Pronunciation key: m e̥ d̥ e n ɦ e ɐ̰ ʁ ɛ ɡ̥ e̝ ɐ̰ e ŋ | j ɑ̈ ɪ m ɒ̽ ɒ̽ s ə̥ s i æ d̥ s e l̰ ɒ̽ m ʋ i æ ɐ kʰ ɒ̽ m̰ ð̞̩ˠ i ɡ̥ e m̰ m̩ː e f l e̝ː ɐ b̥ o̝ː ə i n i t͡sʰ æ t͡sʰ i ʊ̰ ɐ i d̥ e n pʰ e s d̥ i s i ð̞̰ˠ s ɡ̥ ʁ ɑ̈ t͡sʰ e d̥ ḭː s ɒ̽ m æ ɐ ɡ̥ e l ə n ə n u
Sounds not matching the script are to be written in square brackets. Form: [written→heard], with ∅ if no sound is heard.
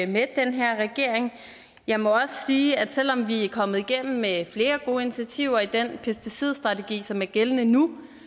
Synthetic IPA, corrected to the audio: m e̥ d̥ e n ɦ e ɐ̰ ʁ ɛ ɡ̥ e̝ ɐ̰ e ŋ | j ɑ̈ ɪ m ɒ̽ ɒ̽ s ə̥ s [i→iː] æ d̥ s e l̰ ɒ̽ m ʋ i æ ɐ kʰ ɒ̽ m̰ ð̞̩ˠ i ɡ̥ e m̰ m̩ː e f l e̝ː ɐ [b̥→ɡ̥] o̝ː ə i n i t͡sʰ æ t͡sʰ i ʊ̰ ɐ i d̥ e n pʰ e s d̥ i s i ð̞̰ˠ s [ɡ̥→d̥] ʁ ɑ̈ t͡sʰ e [d̥→ɡ̥] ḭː s ɒ̽ m æ ɐ ɡ̥ e l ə n ə n u